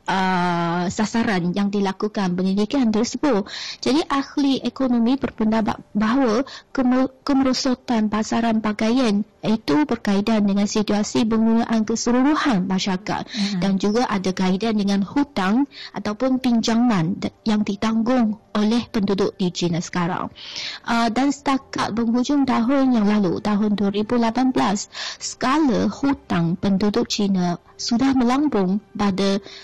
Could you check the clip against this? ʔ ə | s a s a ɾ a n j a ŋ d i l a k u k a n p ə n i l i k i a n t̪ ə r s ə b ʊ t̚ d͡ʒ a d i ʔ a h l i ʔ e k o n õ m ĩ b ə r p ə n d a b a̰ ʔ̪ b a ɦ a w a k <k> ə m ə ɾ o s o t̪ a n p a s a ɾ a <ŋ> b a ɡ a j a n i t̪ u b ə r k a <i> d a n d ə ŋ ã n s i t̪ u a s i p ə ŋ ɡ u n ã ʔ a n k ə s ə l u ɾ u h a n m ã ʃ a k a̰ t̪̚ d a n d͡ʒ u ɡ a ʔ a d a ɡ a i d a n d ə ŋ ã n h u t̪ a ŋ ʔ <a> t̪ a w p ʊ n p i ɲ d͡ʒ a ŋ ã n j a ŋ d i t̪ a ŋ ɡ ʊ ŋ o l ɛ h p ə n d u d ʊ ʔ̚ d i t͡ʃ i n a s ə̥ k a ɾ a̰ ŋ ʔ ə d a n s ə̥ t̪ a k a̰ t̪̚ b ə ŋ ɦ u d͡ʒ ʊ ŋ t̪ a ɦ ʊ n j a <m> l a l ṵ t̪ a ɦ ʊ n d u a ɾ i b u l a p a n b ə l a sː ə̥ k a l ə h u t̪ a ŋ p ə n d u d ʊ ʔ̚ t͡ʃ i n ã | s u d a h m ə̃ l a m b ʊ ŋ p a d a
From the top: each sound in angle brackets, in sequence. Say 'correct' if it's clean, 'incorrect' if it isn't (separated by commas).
correct, incorrect, correct, correct, incorrect